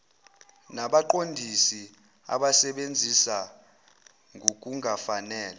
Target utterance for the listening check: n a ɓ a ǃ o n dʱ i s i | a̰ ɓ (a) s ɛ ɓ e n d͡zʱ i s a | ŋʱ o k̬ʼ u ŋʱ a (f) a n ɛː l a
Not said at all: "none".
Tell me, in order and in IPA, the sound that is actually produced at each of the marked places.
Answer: a, f

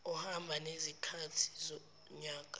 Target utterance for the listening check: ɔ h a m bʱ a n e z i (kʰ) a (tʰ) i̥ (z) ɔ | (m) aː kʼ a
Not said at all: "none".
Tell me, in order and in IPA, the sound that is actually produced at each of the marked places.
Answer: kʰ, tʰ, z, ɲ

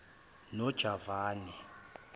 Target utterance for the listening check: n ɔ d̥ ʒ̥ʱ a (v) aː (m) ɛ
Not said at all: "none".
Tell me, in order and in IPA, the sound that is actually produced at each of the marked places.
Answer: v, n

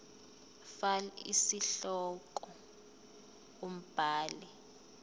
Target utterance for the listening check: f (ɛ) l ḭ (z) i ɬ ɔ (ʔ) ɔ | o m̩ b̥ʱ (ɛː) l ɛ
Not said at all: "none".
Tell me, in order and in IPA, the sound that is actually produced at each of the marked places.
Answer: a, s, k, aː

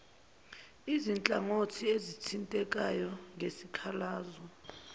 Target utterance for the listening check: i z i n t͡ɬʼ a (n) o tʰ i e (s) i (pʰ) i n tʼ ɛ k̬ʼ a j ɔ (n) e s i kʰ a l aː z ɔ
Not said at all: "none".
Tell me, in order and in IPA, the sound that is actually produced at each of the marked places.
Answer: ŋ, z, tʰ, ŋ

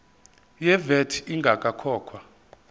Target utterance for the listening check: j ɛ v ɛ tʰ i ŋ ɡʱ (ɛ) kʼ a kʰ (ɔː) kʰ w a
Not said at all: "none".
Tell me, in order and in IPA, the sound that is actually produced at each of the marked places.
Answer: a, ɔː

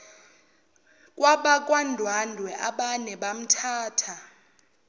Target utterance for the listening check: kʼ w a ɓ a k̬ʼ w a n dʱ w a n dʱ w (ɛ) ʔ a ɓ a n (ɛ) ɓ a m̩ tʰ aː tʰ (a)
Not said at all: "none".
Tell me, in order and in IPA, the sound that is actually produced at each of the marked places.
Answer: ɛ, ɛ, a

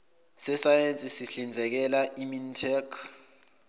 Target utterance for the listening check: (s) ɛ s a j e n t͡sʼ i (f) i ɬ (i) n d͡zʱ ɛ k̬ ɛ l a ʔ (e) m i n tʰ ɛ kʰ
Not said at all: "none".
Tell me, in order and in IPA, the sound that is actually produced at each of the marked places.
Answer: s, s, i, i

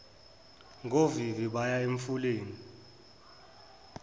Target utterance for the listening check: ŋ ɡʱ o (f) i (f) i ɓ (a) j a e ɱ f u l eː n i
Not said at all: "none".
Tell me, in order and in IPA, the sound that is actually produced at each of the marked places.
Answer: v, v, a

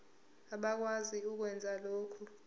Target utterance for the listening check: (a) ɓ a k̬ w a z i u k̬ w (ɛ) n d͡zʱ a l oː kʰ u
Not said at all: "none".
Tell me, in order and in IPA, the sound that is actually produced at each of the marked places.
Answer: a, ɛ

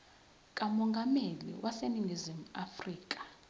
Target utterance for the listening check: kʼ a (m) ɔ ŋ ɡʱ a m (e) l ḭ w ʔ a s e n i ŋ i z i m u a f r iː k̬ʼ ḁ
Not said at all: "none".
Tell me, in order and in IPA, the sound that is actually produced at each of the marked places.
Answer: m, e

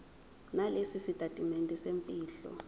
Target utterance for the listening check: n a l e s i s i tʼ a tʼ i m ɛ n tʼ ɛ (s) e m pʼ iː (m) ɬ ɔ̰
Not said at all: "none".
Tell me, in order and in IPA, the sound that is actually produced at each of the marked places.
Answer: s, none

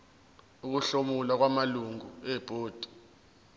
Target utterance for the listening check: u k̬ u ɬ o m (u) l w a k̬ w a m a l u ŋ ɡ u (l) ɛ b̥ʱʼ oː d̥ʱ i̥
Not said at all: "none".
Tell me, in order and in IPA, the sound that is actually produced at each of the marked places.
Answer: u, none

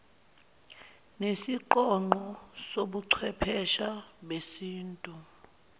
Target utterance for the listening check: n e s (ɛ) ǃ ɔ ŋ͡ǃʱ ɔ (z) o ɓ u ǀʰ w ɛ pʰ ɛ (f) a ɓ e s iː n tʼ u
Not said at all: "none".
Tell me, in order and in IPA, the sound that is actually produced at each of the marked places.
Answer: i, s, ʃ

